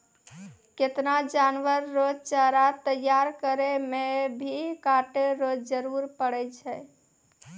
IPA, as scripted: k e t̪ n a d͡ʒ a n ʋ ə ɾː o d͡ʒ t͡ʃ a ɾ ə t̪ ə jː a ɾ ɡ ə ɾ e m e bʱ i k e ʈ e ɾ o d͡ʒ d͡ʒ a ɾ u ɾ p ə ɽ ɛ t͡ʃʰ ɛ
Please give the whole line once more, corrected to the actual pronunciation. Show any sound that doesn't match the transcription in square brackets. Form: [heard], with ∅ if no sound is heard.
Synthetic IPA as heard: k e t̪ n a d͡ʒ a n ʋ ə ɾː o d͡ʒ t͡ʃ a ɾ [a] t̪ ə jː a ɾ [k] ə ɾ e m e bʱ i k [a] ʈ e ɾ o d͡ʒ d͡ʒ [ə] ɾ u ɾ p ə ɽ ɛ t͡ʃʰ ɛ